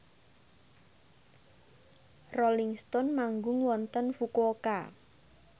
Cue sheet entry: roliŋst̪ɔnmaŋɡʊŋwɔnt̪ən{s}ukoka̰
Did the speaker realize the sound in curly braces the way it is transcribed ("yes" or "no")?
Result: no